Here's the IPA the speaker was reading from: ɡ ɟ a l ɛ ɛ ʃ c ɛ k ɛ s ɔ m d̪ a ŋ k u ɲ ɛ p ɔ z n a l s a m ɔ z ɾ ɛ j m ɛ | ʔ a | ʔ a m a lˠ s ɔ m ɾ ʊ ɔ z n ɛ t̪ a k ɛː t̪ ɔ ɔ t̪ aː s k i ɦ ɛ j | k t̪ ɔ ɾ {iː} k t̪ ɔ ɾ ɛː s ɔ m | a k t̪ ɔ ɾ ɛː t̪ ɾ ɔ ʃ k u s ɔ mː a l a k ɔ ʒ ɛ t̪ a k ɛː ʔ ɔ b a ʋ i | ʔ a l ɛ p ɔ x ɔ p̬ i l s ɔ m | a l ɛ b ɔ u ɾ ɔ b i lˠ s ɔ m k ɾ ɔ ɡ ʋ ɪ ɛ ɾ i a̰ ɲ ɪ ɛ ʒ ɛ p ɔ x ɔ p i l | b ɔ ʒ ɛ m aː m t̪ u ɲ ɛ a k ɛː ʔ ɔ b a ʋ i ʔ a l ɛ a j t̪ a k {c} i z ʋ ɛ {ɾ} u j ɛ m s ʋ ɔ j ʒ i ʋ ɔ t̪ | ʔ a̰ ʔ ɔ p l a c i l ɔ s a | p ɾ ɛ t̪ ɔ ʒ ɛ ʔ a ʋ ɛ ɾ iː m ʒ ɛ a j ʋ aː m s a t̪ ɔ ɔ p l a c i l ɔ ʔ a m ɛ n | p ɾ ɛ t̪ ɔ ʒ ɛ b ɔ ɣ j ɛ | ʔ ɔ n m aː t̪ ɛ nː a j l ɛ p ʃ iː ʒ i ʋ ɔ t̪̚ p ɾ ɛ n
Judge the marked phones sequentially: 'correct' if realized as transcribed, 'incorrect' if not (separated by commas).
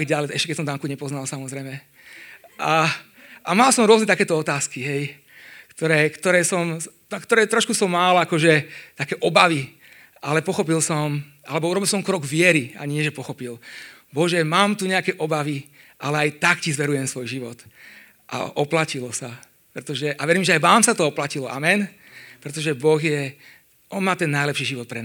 incorrect, correct, correct